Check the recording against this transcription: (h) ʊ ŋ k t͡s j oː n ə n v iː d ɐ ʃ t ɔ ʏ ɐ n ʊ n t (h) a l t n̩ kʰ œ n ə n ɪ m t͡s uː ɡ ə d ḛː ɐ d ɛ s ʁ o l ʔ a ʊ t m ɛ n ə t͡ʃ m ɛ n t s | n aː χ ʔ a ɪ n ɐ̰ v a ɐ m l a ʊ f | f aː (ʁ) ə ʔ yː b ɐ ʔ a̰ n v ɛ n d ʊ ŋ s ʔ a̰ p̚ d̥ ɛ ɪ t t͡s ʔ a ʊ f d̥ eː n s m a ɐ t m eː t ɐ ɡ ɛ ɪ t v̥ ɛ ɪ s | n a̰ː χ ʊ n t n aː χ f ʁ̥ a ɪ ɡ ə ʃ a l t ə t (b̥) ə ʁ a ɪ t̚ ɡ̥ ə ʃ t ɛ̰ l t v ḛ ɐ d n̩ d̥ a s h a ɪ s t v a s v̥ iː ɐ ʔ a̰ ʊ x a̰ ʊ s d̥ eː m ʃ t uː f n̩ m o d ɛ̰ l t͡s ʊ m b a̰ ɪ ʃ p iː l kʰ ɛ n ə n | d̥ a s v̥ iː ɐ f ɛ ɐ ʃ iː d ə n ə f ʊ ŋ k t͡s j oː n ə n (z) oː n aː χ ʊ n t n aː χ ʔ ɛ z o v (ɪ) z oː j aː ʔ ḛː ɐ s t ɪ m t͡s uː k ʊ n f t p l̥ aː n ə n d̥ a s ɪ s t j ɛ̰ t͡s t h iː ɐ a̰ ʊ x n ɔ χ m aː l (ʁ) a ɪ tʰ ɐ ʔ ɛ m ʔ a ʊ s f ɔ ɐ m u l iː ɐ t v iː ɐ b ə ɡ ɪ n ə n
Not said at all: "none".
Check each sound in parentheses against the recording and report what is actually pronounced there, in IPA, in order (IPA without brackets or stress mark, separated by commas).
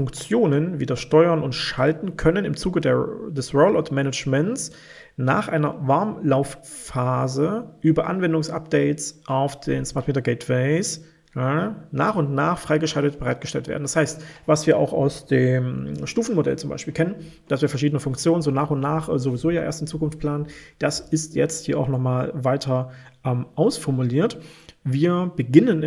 f, ʃ, z, b̥, z, i, v